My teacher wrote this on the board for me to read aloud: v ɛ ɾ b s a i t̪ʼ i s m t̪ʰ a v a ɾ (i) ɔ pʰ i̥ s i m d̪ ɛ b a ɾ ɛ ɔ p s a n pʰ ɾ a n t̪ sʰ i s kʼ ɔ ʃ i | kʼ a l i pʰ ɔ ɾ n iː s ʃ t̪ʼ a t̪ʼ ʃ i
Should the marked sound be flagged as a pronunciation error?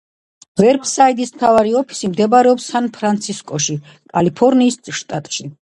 no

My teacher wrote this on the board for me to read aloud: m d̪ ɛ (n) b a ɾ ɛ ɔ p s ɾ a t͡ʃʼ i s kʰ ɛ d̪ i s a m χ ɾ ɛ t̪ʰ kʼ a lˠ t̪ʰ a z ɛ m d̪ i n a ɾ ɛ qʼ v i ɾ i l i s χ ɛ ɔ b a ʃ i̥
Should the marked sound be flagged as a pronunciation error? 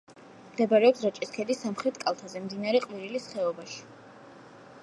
yes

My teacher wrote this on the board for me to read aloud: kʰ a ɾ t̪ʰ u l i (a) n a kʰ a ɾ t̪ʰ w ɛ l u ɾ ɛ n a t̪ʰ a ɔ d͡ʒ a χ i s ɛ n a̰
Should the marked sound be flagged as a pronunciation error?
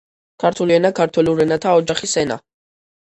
yes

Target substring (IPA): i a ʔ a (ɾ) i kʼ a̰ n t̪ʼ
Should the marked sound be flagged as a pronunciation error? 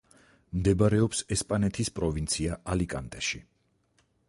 yes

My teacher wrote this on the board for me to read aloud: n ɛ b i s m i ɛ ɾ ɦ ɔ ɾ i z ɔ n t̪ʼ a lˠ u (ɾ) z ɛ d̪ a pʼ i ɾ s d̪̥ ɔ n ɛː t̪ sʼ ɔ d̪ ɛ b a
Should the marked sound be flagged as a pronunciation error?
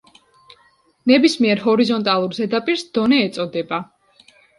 no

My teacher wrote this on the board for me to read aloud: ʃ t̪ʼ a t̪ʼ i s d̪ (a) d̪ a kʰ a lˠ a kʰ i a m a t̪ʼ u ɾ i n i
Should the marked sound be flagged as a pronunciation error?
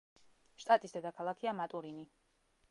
yes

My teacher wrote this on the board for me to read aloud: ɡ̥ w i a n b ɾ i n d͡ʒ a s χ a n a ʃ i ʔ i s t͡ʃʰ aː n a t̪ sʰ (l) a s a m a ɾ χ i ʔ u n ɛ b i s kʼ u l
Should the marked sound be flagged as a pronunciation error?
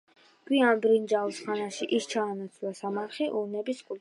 no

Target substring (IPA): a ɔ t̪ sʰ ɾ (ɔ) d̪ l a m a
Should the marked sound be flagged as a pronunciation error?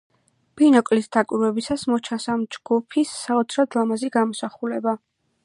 no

